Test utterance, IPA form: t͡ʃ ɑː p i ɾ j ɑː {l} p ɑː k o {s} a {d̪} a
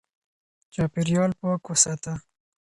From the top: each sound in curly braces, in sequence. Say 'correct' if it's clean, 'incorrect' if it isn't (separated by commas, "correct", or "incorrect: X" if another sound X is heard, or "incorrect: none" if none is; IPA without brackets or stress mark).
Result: correct, correct, incorrect: t̪